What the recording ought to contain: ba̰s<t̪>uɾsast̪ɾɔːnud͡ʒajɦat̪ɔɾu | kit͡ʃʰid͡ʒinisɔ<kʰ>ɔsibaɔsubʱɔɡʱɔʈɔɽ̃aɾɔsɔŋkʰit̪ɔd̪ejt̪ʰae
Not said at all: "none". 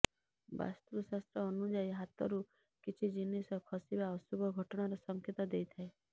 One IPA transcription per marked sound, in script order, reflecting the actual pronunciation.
t̪, kʰ

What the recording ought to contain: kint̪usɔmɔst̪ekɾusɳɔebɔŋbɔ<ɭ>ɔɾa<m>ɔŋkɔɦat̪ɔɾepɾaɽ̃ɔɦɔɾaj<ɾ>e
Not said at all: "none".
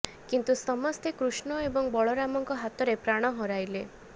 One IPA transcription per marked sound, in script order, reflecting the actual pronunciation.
ɭ, m, l

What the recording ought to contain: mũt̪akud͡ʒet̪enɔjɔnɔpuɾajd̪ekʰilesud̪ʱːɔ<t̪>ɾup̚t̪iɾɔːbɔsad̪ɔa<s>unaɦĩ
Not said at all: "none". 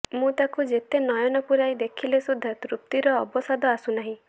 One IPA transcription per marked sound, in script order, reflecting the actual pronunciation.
t̪, s

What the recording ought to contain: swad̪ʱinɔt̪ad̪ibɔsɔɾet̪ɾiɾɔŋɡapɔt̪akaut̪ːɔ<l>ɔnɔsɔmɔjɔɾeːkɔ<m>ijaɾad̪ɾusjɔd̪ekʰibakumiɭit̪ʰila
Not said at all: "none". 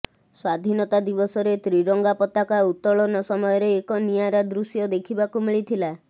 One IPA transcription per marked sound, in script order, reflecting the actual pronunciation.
ɭ, n

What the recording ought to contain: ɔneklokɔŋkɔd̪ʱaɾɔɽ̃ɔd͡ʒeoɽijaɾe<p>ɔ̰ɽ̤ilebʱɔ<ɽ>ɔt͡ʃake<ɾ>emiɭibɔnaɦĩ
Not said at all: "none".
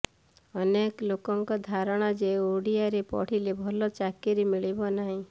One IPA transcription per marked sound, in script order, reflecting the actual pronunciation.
p, l, ɾ

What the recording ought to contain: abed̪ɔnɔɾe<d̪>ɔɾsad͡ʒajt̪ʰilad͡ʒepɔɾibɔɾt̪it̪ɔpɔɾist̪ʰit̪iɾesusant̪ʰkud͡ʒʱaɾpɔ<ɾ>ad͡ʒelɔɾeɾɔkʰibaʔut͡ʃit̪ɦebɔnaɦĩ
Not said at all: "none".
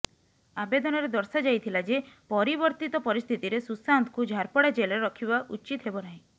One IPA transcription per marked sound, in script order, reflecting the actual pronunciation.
d̪, ɽ

